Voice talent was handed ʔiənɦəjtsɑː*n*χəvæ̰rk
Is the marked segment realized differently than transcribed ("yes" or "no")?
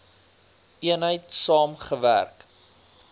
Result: yes